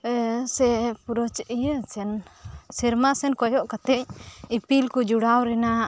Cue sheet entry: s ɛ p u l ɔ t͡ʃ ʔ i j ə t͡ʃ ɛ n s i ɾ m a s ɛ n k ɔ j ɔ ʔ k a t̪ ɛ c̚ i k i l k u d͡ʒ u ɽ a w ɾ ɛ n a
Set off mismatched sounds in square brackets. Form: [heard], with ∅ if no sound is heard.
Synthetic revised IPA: s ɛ p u [ɾ] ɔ t͡ʃ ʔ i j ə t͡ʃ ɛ n s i ɾ m a s ɛ n k ɔ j ɔ ʔ k a t̪ ɛ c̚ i [p] i l k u d͡ʒ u ɽ a w ɾ ɛ n a

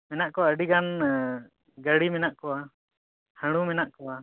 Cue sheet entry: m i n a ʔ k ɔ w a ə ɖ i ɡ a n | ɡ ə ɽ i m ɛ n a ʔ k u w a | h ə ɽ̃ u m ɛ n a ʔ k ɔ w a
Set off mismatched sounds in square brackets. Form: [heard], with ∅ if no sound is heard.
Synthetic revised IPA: m [ɛ] n a ʔ k ɔ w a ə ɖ i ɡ a n | ɡ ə ɽ i m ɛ n a ʔ k [ɔ] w a | h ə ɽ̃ u m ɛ n a ʔ k ɔ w a

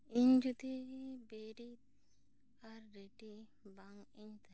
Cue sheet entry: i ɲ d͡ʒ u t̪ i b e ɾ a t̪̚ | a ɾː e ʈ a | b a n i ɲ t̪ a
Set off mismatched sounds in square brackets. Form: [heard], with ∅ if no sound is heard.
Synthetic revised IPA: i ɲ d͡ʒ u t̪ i b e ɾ [i] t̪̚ | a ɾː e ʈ [i] | b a [ŋ] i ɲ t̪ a

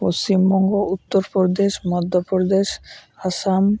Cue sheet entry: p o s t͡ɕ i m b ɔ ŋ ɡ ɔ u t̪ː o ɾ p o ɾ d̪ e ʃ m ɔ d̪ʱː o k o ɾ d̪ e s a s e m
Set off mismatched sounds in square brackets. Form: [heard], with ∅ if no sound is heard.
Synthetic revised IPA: p o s t͡ɕ i m b ɔ ŋ ɡ [o] u t̪ː o ɾ p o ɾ d̪ e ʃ m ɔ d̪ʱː o [p] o ɾ d̪ e [ʃ] a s [a] m

